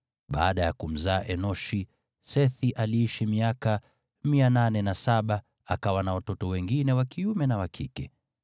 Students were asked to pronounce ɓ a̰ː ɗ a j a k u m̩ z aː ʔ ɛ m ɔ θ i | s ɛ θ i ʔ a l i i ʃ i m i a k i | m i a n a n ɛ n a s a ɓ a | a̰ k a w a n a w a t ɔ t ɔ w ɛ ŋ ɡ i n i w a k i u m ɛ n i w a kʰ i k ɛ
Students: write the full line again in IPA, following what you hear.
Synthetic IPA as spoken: ɓ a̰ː ɗ a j a k u m̩ z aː ʔ ɛ n ɔ ʃ i | s ɛ θ i ʔ a l i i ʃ i m i a k a | m i a n a n ɛ n a s a ɓ a | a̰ k a w a n a w a t ɔ t ɔ w ɛ ŋ ɡ i n ɛ w a k i u m ɛ n a w a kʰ i k ɛ

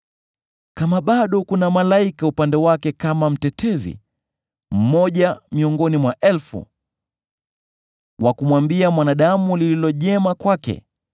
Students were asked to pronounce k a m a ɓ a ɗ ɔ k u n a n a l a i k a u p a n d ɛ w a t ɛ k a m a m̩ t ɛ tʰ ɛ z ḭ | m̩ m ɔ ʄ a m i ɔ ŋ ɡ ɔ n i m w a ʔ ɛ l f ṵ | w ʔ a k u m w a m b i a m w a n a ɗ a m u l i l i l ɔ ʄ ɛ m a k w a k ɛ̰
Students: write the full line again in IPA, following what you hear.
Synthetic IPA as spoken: k a m a ɓ a ɗ ɔ k u n a m a l a i k a u p a n d ɛ w a k ɛ k a m a m̩ t ɛ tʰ ɛ z ḭ | m̩ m ɔ ʄ a m i ɔ ŋ ɡ ɔ n i m w a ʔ ɛ l f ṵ | w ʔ a k u m w a m b i a m w a n a ɗ a m u l i l i l ɔ ʄ ɛ m a k w a k ɛ̰

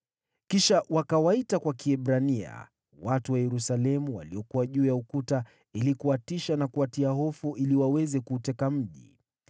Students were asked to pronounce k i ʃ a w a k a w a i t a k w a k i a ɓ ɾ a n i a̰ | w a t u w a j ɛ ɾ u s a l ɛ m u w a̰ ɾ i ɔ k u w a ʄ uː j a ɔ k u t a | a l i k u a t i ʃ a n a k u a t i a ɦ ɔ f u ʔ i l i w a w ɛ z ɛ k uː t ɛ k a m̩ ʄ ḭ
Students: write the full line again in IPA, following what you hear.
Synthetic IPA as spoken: k i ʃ a w a k a w a i t a k w a k i ɛ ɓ ɾ a n i a̰ | w a t u w a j ɛ ɾ u s a l ɛ m u w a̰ l i ɔ k u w a ʄ uː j a u k u t a | i l i k u a t i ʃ a n a k u a t i a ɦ ɔ f u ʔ i l i w a w ɛ z ɛ k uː t ɛ k a m̩ ʄ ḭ

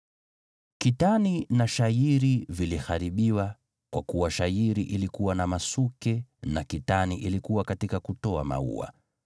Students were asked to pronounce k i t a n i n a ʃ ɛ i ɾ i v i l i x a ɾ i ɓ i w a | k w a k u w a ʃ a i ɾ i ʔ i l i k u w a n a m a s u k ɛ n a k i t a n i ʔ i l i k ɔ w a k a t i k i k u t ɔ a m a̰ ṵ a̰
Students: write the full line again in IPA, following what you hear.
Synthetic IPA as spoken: k i t a n i n a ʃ a i ɾ i v i l i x a ɾ i ɓ i w a | k w a k u w a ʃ a i ɾ i ʔ i l i k u w a n a m a s u k ɛ n a k i t a n i ʔ i l i k u w a k a t i k a k u t ɔ a m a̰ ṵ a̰

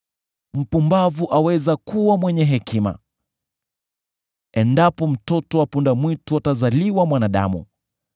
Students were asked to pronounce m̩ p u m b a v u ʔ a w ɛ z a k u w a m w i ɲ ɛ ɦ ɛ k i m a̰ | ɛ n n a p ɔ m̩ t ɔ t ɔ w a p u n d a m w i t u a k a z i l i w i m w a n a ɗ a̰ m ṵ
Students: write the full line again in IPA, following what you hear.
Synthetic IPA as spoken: m̩ p u m b a v u ʔ a w ɛ z a k u w a m w ɛ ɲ ɛ ɦ ɛ k i m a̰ | ɛ n d a p ɔ m̩ t ɔ t ɔ w a p u n d a m w i t u a t a z a l i w a m w a n a ɗ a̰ m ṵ

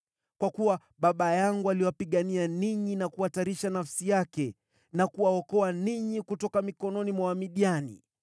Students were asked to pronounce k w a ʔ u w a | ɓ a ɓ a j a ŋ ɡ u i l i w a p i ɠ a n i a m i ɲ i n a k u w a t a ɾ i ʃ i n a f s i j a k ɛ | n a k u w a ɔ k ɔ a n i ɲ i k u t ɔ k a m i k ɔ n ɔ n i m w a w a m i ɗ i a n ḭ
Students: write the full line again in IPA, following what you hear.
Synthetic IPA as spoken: k w a k u w a | ɓ a ɓ a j a ŋ ɡ u a l i w a p i ɠ a n i a n i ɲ i n a k u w a t a ɾ i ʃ a n a f s i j a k ɛ | n a k u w a ɔ k ɔ a n i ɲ i k u t ɔ k a m i k ɔ n ɔ n i m w a w a m i ɗ i a n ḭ

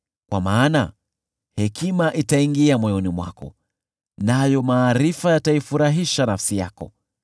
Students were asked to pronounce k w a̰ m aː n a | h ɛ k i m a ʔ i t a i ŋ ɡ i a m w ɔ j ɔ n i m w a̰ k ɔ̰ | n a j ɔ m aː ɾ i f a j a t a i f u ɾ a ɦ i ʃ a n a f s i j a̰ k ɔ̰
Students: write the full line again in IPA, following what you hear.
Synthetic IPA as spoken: k w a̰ m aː n a | h ɛ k i m a ʔ i t a i ŋ ɡ i a m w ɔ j ɔ n i m w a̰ k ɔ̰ | n a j ɔ m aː ɾ i f a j a t a i f u ɾ a ɦ i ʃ a n a f s i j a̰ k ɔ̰

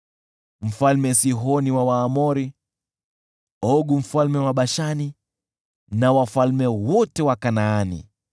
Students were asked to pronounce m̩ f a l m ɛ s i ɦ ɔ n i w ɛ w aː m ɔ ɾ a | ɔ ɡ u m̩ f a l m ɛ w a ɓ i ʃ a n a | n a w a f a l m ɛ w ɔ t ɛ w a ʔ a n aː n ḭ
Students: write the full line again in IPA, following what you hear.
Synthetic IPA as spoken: m̩ f a l m ɛ s i ɦ ɔ n i w a w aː m ɔ ɾ i | ɔ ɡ u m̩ f a l m ɛ w a ɓ a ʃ a n i | n a w a f a l m ɛ w ɔ t ɛ w a k a n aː n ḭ

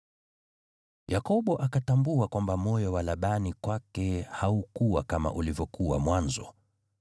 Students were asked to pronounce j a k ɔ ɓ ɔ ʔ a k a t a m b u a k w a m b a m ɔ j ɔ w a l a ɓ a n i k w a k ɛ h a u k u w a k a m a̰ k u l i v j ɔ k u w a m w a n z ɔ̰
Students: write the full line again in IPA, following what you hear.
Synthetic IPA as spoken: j a k ɔ ɓ ɔ ʔ a k a t a m b u a k w a m b a m ɔ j ɔ w a l a ɓ a n i k w a k ɛ h a u k u w a k a m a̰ ʔ u l i v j ɔ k u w a m w a n z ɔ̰

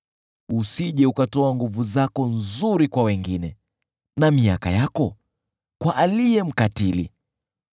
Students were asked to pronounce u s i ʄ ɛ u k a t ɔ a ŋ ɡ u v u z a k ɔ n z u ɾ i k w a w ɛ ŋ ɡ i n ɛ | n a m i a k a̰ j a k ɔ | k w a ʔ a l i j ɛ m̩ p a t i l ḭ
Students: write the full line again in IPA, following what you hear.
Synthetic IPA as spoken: u s i ʄ ɛ u k a t ɔ a ŋ ɡ u v u z a k ɔ n z u ɾ i k w a w ɛ ŋ ɡ i n ɛ | n a m i a k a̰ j a k ɔ | k w a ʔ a l i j ɛ m̩ k a t i l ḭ

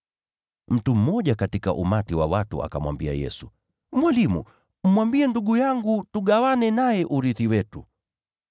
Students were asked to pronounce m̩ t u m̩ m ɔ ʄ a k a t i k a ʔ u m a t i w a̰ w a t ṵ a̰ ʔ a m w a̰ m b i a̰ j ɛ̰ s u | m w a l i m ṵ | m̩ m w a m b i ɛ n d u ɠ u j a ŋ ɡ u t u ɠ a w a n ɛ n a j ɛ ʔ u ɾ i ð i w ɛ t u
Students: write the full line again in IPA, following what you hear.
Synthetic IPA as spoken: m̩ t u m̩ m ɔ ʄ a k a t i k a ʔ u m a t i w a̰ w a t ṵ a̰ k a m w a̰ m b i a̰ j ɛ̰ s u | m w a l i m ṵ | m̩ m w a m b i ɛ n d u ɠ u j a ŋ ɡ u t u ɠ a w a n ɛ n a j ɛ ʔ u ɾ i θ i w ɛ t u

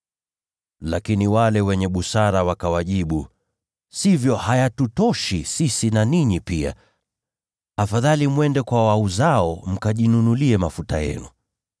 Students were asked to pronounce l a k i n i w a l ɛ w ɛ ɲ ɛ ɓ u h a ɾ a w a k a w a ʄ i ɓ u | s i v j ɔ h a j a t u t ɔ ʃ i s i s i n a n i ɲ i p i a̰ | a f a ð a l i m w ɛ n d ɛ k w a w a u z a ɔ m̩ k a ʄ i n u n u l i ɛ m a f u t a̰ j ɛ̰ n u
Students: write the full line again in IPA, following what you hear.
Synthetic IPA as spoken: l a k i n i w a l ɛ w ɛ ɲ ɛ ɓ u s a ɾ a w a k a w a ʄ i ɓ u | s i v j ɔ h a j a t u t ɔ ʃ i s i s i n a n i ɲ i p i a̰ | a f a ð a l i m w ɛ n d ɛ k w a w a u z a ɔ m̩ k a ʄ i n u n u l i ɛ m a f u t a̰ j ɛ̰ n u

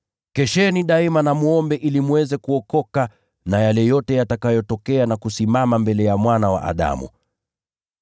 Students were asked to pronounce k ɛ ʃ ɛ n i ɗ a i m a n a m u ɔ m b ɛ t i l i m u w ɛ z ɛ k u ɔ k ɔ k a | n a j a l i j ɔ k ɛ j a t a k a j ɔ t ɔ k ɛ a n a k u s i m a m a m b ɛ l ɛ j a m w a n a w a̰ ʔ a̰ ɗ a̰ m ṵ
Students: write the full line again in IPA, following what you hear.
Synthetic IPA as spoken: k ɛ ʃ ɛ n i ɗ a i m a n a m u ɔ m b ɛ ʔ i l i m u w ɛ z ɛ k u ɔ k ɔ k a | n a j a l ɛ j ɔ t ɛ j a t a k a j ɔ t ɔ k ɛ a n a k u s i m a m a m b ɛ l ɛ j a m w a n a w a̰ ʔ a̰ ɗ a̰ m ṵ

